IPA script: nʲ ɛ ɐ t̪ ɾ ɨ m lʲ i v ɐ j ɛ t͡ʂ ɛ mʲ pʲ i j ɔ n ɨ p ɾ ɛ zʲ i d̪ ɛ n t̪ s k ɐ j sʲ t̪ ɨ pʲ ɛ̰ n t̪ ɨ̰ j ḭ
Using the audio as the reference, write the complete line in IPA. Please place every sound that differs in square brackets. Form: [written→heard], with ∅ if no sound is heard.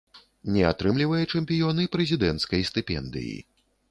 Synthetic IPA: nʲ ɛ [ɐ→a] t̪ ɾ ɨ m lʲ i v ɐ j ɛ t͡ʂ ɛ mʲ pʲ i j ɔ n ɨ p ɾ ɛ zʲ i d̪ ɛ n t̪ s k ɐ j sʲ t̪ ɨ pʲ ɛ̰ n [t̪→d̪] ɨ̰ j ḭ